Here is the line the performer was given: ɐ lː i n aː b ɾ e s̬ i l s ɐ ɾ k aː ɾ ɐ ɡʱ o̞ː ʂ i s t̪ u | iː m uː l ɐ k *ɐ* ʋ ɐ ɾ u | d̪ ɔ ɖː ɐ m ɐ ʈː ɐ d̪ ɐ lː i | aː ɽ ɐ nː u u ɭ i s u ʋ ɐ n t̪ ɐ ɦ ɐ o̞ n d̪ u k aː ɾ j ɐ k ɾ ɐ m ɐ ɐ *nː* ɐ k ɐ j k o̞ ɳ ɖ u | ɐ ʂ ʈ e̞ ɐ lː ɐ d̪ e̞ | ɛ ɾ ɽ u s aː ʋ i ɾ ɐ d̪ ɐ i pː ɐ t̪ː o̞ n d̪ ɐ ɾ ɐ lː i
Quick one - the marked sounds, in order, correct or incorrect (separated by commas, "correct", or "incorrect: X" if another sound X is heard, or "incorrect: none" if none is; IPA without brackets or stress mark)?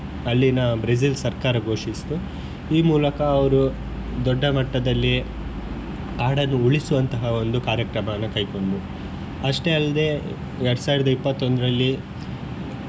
incorrect: ɐː, correct